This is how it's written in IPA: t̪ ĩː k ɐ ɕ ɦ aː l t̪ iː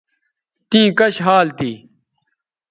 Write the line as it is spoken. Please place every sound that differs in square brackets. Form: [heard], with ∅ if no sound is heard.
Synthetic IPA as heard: t̪ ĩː k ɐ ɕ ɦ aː l t̪ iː